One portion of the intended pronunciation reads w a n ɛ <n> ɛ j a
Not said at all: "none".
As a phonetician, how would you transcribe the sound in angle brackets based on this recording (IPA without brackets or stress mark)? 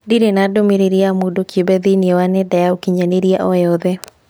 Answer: d